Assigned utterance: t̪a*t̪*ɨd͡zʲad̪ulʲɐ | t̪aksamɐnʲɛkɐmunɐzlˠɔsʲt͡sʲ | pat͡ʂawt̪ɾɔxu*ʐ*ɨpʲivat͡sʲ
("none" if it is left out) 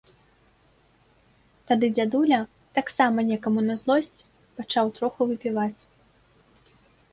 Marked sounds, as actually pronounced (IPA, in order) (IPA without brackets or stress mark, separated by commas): d̪, v